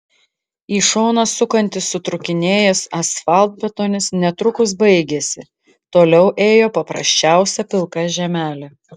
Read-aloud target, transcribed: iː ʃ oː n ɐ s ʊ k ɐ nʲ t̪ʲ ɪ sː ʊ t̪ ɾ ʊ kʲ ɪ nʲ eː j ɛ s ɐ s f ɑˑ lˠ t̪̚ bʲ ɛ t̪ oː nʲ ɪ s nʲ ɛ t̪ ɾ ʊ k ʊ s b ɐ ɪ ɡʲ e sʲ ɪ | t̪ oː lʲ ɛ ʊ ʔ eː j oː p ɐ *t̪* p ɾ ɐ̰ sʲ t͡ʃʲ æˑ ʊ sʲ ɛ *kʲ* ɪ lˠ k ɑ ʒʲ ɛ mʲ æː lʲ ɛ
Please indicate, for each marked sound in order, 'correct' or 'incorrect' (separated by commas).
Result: incorrect, incorrect